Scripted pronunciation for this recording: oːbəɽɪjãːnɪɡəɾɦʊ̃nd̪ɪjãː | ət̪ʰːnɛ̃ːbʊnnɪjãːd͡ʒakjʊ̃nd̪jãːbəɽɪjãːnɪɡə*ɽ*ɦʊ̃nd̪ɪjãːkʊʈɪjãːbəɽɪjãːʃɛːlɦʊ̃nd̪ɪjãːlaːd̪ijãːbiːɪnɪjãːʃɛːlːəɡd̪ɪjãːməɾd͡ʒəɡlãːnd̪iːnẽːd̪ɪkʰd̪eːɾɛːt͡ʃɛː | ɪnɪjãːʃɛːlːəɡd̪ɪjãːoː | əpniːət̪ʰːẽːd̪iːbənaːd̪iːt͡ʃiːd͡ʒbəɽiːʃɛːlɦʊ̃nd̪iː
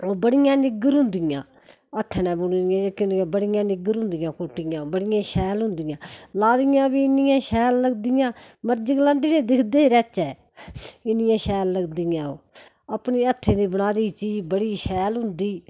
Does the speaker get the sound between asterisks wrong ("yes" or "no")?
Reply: yes